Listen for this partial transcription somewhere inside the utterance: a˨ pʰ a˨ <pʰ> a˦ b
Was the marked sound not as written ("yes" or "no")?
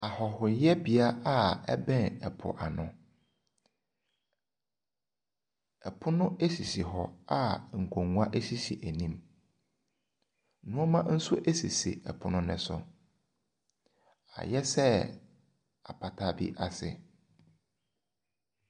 yes